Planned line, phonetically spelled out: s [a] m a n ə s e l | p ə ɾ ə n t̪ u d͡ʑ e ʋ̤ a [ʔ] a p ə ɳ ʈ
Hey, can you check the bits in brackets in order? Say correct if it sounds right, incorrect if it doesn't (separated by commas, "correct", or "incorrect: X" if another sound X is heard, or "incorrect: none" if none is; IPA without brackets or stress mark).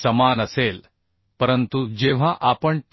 incorrect: ə, correct